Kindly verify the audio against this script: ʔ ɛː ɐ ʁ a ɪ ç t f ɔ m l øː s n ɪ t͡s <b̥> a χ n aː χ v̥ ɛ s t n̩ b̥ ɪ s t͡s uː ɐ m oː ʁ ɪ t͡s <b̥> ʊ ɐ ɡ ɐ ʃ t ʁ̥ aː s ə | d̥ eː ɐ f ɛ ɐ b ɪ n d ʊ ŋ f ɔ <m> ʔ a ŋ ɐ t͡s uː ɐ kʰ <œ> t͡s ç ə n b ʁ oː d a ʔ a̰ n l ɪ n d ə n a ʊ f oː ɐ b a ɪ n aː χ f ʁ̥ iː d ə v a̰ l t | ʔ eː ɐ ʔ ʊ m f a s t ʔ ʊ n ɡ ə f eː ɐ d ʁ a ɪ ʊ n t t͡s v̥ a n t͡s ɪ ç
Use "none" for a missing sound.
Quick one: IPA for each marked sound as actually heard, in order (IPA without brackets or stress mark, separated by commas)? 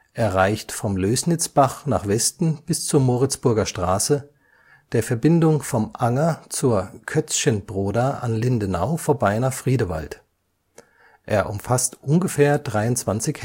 b̥, b̥, m, œ